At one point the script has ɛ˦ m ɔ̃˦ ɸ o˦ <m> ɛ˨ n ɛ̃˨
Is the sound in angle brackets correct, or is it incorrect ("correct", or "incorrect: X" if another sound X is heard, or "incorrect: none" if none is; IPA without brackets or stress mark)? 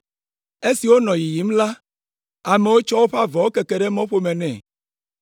correct